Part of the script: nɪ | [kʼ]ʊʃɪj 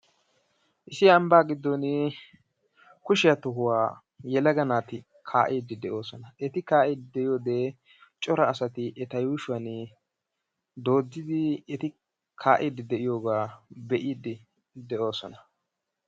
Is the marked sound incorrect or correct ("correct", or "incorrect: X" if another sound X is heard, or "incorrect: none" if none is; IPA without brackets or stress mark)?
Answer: incorrect: k